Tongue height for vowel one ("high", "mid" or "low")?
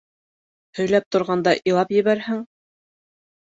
mid